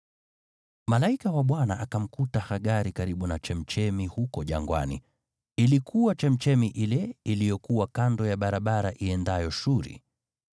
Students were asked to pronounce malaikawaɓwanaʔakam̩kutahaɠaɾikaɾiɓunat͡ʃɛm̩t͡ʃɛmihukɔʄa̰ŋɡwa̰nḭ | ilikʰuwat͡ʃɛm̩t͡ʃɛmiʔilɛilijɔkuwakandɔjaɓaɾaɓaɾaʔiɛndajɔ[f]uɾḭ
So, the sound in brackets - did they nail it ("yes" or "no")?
no